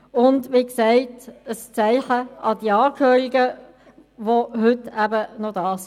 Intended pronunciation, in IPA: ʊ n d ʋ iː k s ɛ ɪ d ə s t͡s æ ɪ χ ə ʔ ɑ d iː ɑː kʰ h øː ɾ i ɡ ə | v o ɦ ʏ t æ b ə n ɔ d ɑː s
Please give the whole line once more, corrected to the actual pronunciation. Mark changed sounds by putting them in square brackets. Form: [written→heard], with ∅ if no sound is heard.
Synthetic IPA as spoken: ʊ n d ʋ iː k s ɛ ɪ [d→t] ə s t͡s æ ɪ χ ə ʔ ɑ d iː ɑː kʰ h øː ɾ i ɡ ə | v o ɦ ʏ t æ b ə n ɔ d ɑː s